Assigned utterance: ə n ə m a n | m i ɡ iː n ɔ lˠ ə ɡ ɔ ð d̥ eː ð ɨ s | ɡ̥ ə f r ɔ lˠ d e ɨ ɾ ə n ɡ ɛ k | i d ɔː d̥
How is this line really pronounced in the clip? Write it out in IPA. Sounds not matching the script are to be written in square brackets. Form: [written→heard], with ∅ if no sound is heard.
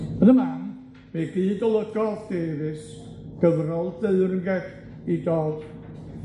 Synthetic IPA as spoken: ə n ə m a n | m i ɡ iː [n→d] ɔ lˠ ə ɡ ɔ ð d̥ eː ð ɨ s | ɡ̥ ə [f→v] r ɔ lˠ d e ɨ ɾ ə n ɡ ɛ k | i d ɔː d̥